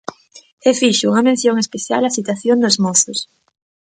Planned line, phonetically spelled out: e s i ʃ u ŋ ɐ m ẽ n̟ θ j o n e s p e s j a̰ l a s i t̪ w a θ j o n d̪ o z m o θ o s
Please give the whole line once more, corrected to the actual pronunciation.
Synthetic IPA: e f i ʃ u ŋ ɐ m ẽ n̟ θ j o ŋ e s p e θ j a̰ l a s i t̪ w a θ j o n d̪ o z m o θ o s